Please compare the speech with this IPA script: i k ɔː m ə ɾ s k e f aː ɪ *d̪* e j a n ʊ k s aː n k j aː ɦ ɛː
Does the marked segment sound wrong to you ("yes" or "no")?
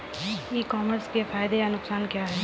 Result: no